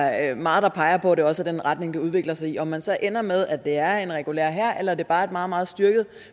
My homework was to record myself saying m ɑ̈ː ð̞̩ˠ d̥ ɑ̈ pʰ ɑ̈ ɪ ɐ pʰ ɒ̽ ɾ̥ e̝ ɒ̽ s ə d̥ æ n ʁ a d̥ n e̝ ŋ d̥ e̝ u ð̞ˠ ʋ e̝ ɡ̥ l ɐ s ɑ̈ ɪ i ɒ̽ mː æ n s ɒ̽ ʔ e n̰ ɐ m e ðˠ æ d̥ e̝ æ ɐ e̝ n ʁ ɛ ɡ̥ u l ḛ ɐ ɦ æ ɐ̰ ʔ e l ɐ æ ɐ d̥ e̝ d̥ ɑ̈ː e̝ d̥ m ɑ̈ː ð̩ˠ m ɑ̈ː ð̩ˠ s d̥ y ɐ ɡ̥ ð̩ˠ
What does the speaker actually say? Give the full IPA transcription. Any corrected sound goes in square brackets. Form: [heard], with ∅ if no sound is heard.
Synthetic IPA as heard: m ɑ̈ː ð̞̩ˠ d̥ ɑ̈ pʰ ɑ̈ ɪ ɐ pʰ ɒ̽ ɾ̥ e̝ ɒ̽ s ə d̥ [e] n ʁ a d̥ n e̝ ŋ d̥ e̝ u ð̞ˠ ʋ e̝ ɡ̥ l ɐ s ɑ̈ ɪ i ɒ̽ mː æ n s ɒ̽ ʔ e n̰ ɐ m e ðˠ æ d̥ e̝ æ ɐ e̝ n ʁ ɛ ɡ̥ u l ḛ ɐ ɦ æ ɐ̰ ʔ e l ɐ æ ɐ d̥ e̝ [b̥] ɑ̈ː e̝ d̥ m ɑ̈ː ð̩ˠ m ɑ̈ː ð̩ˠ s d̥ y ɐ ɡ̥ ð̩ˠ